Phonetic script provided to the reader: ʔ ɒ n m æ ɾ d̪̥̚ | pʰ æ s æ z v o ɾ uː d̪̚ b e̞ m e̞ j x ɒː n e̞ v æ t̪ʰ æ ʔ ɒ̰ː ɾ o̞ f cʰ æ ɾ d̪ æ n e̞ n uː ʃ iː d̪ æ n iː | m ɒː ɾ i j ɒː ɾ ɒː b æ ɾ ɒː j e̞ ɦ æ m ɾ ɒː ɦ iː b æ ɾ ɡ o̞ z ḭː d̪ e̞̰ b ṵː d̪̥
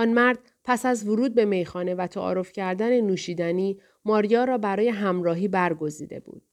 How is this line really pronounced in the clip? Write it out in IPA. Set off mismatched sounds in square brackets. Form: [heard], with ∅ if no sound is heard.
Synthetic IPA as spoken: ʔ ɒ n m æ ɾ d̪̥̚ | pʰ æ s æ z v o ɾ uː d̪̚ b e̞ m e̞ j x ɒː n e̞ v æ t̪ʰ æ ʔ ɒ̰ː ɾ o̞ f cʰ æ ɾ d̪ æ n e̞ n uː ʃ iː d̪ æ n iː | m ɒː ɾ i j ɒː ɾ ɒː b æ ɾ ɒː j e̞ ɦ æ m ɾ ɒː ɦ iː b æ ɾ ɡ o̞ z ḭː d̪ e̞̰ b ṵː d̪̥